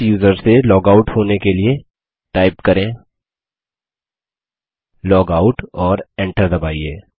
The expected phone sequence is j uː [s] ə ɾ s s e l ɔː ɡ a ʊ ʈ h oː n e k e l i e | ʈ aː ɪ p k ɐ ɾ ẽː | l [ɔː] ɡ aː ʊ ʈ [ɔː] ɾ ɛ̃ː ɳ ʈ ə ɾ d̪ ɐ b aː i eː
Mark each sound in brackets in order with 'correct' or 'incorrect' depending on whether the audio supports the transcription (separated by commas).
incorrect, correct, correct